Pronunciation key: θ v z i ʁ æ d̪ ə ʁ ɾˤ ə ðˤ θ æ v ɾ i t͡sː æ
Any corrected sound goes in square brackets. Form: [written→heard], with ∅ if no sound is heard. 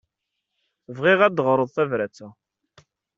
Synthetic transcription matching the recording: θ v [z→ʁ] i ʁ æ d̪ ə ʁ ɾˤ ə ðˤ θ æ v ɾ [i→æ] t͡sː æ